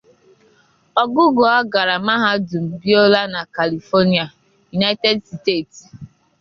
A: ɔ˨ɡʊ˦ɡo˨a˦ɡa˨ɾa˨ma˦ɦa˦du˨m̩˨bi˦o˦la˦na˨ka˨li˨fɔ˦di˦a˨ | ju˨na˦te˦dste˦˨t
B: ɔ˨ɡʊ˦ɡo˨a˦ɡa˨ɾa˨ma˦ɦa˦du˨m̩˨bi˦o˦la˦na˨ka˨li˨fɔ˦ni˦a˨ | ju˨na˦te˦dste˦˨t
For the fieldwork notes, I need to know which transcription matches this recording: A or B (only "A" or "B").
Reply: B